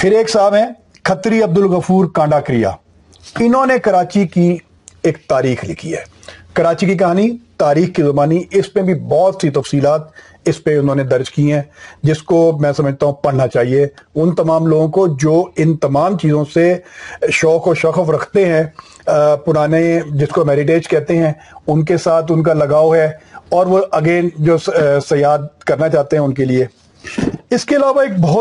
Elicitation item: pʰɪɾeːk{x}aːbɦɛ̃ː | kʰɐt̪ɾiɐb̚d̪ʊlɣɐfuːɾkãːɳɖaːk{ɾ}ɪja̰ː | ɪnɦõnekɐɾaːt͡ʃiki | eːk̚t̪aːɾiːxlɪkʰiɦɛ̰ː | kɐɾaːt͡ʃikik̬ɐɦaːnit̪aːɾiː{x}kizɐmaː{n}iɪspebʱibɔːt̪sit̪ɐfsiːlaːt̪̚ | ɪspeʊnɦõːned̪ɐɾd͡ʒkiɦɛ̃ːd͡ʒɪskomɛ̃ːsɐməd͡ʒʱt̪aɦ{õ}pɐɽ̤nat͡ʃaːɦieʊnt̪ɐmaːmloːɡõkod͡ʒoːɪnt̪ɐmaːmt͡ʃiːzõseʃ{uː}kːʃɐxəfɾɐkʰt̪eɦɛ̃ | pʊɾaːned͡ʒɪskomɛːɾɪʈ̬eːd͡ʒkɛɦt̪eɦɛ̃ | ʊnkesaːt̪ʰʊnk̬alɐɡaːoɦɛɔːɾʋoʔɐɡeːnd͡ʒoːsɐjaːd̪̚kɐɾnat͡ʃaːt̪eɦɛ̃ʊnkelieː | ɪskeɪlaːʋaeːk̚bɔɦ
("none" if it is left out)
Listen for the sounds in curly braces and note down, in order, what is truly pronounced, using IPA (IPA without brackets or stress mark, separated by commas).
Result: s, ɾ, x, n, ũ, ɔː